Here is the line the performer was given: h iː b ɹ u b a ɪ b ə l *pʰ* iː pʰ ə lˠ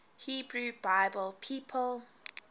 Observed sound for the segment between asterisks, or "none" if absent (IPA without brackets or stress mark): pʰ